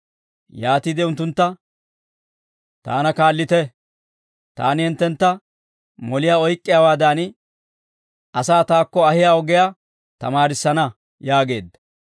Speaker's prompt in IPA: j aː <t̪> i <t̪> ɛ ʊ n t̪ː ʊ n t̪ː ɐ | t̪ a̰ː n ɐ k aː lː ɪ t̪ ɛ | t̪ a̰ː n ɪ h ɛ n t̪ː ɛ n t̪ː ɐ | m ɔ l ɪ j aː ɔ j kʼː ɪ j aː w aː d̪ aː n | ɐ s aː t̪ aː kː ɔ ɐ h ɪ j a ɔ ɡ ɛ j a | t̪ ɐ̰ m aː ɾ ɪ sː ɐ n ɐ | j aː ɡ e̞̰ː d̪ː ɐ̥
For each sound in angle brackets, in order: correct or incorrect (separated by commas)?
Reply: correct, incorrect